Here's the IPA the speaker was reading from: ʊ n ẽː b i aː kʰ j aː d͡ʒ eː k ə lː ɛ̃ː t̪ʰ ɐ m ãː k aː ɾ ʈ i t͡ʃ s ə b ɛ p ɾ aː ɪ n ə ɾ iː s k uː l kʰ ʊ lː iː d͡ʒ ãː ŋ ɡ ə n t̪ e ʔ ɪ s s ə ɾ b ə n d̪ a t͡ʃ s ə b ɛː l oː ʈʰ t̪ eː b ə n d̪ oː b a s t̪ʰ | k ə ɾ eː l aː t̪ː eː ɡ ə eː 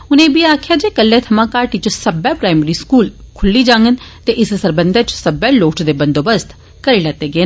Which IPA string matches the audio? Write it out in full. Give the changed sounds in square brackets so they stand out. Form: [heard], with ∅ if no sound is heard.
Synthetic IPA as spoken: ʊ n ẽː b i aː kʰ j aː d͡ʒ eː k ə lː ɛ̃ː t̪ʰ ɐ m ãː k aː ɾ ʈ i t͡ʃ s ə b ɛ p ɾ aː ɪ [m] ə ɾ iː s k uː l kʰ ʊ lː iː d͡ʒ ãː ŋ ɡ ə n t̪ e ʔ ɪ s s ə ɾ b ə n d̪ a t͡ʃ s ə b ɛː l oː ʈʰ [d̪] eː b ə n d̪ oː b [ə] s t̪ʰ | k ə ɾ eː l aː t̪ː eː ɡ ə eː